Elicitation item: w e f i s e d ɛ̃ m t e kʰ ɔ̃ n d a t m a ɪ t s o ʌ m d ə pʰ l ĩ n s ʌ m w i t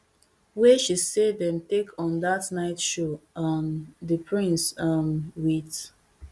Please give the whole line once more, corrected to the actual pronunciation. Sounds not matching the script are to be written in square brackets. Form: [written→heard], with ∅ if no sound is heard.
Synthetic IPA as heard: w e [f→ʃ] i s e d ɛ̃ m t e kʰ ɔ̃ n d a t [m→n] a ɪ t [s→ʃ] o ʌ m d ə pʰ [l→ɹ] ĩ n s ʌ m w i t